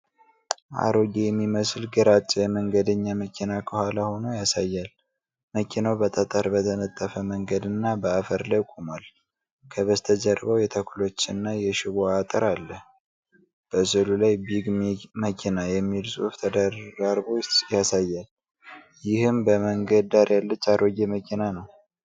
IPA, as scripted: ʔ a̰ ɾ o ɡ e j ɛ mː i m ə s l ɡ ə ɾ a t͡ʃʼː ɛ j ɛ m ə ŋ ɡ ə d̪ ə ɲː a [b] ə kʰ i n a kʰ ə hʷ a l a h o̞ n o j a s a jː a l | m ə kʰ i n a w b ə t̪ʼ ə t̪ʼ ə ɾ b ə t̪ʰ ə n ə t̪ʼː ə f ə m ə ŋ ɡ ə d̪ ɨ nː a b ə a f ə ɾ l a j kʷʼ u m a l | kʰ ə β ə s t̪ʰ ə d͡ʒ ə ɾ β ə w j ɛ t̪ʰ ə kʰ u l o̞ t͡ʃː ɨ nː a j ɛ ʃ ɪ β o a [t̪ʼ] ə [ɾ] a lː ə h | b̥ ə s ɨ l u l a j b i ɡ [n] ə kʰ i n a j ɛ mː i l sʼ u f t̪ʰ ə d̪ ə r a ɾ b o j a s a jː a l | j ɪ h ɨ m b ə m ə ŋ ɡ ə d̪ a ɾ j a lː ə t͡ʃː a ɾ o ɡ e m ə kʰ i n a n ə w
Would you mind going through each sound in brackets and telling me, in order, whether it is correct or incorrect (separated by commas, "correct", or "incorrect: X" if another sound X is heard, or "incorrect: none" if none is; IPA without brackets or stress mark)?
incorrect: m, correct, correct, incorrect: m